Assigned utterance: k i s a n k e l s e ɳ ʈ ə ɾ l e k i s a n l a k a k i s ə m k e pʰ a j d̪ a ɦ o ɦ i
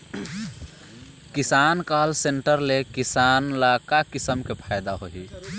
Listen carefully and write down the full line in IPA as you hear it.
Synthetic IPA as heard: k i s a n k a l s e ɳ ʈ ə ɾ l e k i s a n l a k a k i s ə m k e pʰ a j d̪ a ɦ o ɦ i